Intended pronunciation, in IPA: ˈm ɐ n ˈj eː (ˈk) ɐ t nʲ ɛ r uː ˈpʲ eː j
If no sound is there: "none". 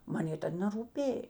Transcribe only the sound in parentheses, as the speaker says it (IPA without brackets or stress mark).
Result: t